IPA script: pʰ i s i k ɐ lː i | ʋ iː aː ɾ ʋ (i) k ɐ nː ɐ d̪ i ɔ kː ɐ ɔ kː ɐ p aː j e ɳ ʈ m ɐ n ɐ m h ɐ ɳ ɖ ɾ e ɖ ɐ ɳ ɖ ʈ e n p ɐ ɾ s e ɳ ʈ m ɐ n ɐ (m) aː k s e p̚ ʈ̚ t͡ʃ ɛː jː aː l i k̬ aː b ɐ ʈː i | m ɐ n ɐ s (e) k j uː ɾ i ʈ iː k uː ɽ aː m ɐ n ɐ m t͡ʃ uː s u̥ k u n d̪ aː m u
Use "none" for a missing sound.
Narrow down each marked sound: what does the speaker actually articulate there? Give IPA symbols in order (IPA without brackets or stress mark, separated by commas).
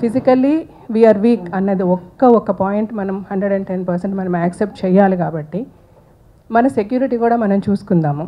iː, m, e